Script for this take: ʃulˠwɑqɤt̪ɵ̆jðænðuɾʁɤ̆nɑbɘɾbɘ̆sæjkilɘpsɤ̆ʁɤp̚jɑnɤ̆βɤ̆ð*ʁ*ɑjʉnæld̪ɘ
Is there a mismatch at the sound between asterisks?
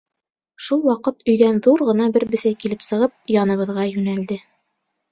no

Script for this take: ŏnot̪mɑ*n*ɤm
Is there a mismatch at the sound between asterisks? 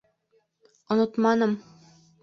no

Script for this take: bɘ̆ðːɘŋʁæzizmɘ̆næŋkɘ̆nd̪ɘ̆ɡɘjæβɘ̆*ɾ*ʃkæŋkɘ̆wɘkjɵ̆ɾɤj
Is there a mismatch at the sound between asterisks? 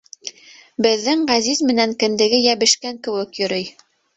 yes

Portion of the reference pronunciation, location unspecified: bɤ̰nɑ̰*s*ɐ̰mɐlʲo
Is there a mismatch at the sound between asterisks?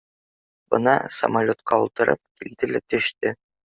no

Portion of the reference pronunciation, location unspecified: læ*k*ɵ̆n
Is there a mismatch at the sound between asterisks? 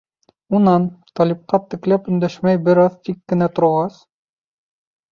yes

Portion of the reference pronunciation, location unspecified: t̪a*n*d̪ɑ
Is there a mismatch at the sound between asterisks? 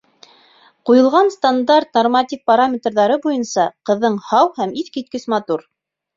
no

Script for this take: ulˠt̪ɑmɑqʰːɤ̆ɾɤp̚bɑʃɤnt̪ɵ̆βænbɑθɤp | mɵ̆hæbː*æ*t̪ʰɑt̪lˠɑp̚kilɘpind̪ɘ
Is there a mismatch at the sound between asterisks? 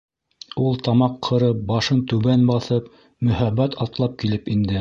no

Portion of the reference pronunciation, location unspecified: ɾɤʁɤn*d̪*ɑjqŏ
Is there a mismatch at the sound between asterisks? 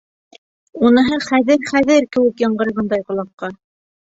no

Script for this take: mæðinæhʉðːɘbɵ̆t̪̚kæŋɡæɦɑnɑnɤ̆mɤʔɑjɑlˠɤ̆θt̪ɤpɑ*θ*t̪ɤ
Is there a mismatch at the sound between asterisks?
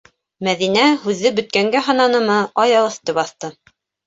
no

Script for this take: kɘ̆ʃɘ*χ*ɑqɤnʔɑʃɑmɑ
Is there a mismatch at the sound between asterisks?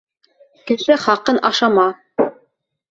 no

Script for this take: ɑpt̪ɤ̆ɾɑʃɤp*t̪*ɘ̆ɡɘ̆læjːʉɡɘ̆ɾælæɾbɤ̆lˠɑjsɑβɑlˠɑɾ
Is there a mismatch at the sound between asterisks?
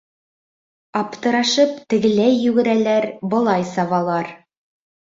no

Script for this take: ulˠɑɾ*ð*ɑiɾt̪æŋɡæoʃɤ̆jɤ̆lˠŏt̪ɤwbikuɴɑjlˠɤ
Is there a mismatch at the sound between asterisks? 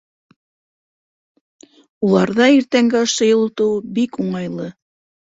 no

